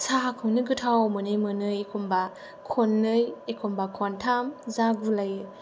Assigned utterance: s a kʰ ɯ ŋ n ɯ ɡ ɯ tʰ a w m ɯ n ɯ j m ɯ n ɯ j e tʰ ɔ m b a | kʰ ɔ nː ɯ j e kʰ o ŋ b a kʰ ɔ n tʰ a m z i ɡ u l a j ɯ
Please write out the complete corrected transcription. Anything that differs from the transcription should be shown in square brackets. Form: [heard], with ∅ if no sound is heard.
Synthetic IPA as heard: s a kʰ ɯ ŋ n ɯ ɡ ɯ tʰ a w m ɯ n ɯ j m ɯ n ɯ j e [kʰ] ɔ m b a | kʰ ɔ nː ɯ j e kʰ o [m] b a kʰ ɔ n tʰ a m z [a] ɡ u l a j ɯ